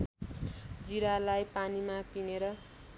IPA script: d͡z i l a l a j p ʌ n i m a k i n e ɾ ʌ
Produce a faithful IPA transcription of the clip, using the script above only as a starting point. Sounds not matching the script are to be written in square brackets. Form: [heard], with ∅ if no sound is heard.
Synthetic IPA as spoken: d͡z i [ɾ] a l a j p [a] n i m a [p] i n e ɾ ʌ